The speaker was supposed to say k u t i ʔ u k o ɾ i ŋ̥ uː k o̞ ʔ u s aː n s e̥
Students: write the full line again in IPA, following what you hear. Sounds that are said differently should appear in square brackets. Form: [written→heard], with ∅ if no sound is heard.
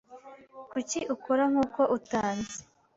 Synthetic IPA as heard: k u [t→c] i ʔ u k o ɾ [i→a] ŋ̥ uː k o̞ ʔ u [s→t] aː n [s→z] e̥